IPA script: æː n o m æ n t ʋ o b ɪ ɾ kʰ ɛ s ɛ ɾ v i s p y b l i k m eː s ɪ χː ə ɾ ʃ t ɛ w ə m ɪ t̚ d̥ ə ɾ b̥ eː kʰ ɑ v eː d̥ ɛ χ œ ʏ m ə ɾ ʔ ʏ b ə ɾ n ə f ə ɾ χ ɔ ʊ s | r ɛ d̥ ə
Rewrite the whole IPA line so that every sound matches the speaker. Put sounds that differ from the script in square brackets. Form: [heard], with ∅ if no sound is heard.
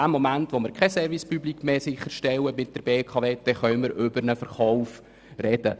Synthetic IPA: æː [m] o m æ n t ʋ o [m] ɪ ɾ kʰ ɛ s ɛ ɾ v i s p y b l i k m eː s ɪ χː ə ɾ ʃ t ɛ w ə m ɪ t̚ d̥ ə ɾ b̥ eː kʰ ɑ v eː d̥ ɛ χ œ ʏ m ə ɾ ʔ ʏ b ə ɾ n ə f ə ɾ χ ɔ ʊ [f] | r ɛ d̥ ə